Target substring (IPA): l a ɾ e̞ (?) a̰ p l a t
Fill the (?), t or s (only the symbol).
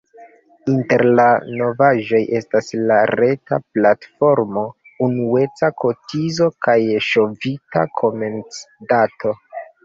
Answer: t